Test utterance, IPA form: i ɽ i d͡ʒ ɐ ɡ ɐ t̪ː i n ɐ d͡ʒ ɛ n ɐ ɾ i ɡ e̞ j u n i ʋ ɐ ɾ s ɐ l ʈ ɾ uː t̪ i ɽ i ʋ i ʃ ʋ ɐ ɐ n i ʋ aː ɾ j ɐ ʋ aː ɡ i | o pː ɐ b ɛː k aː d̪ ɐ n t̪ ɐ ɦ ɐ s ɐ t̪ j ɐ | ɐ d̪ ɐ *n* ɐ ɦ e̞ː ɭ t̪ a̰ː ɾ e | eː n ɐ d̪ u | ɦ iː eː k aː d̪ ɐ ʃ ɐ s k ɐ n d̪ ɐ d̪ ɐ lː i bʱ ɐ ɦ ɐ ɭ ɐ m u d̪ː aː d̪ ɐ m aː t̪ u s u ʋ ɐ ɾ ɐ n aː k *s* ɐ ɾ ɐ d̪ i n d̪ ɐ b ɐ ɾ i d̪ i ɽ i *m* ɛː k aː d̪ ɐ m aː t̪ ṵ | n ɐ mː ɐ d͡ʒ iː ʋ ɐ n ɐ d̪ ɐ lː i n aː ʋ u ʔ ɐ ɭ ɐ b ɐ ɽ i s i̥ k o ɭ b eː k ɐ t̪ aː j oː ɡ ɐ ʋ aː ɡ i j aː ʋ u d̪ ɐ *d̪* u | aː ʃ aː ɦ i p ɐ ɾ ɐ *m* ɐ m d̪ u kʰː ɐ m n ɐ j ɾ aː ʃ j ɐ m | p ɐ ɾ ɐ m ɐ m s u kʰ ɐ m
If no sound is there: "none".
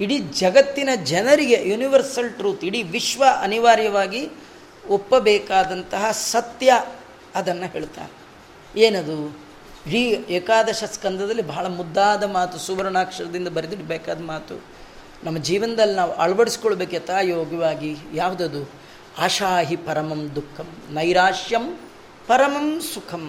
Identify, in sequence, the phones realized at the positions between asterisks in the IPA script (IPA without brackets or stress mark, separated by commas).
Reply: nː, ʂ, b, d̪, m